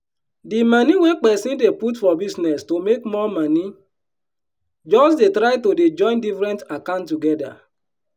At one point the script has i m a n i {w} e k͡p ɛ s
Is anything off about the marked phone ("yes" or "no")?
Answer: no